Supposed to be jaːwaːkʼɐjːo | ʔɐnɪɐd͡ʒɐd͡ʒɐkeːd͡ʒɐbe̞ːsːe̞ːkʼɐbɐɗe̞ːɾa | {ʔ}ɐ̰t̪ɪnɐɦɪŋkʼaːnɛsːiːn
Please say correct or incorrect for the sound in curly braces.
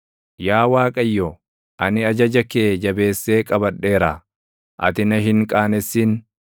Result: correct